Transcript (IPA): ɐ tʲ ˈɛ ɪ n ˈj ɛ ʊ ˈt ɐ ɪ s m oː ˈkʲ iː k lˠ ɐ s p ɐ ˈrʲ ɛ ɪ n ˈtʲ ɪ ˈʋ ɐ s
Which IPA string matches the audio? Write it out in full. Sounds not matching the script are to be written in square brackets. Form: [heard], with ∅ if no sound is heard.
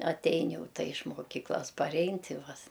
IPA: ɐ tʲ ˈɛ ɪ n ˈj ɛ ʊ ˈt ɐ ɪ [ʃ] m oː ˈkʲ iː k lˠ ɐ s p ɐ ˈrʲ ɛ ɪ n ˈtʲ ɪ ˈʋ ɐ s